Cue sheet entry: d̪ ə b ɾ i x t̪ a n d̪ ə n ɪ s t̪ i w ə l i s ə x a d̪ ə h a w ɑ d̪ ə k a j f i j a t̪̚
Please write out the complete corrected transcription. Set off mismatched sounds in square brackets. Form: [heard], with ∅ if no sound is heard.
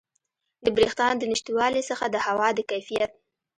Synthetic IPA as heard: d̪ ə b ɾ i x t̪ [ɑ] n d̪ ə n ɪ [ʃ] t̪ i w [ɑ] l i s ə x a d̪ ə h a w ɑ d̪ ə k a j f i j a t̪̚